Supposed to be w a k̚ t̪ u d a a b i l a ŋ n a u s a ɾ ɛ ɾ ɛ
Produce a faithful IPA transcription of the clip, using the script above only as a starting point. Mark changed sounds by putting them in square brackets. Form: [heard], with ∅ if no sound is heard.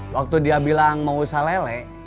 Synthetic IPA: w a k̚ t̪ u d [i] a b i l a ŋ [m] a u s a [l] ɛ [l] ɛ